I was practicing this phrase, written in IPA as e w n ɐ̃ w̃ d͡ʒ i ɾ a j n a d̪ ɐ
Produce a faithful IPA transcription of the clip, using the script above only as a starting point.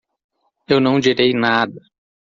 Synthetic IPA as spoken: e w n ɐ̃ w̃ d͡ʒ i ɾ e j n a d̪ ɐ